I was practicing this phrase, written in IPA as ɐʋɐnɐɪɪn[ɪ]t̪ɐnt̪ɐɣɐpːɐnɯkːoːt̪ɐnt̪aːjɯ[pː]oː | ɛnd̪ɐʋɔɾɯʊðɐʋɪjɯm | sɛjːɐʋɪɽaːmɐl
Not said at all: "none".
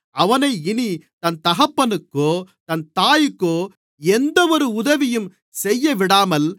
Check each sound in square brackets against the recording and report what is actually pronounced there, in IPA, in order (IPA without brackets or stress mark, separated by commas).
i, kː